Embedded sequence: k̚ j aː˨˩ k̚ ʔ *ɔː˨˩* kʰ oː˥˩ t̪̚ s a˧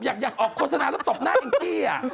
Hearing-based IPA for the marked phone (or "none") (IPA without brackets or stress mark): ɔː˨˩